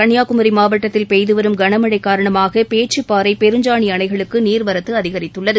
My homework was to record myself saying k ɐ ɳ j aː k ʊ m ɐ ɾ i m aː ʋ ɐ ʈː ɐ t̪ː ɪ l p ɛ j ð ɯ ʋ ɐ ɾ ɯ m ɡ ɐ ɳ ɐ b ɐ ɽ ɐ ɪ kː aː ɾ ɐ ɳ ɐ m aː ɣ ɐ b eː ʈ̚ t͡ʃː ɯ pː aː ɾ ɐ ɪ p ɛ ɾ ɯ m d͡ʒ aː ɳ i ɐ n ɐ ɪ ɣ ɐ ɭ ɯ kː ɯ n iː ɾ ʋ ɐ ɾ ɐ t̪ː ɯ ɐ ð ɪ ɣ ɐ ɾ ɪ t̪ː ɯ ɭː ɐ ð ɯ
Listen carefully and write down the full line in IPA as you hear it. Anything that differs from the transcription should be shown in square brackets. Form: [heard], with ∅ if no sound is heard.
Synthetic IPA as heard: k ɐ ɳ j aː k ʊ m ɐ ɾ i m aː ʋ ɐ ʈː ɐ t̪ː ɪ l p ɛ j ð ɯ ʋ ɐ ɾ ɯ m ɡ ɐ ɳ ɐ [m] ɐ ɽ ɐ ɪ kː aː ɾ ɐ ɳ ɐ m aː ɣ ɐ [p] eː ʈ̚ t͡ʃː ɯ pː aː ɾ ɐ ɪ p ɛ ɾ ɯ [ɲ] d͡ʒ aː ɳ i ɐ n ɐ ɪ ɣ ɐ ɭ ɯ kː ɯ n iː ɾ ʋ ɐ ɾ ɐ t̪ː ɯ ɐ ð ɪ ɣ ɐ ɾ ɪ t̪ː ɯ ɭː ɐ ð ɯ